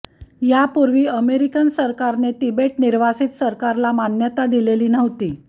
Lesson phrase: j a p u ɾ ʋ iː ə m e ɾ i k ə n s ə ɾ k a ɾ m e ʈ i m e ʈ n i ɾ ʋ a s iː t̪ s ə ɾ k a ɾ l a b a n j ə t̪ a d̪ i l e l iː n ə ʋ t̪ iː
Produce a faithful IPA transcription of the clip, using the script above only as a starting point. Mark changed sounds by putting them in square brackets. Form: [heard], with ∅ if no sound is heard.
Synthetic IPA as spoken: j a p u ɾ ʋ iː ə m e ɾ i k ə n s ə ɾ k a ɾ [n] e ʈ i [b] e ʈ n i ɾ ʋ a s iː t̪ s ə ɾ k a ɾ l a [m] a n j ə t̪ a d̪ i l e l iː n ə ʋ t̪ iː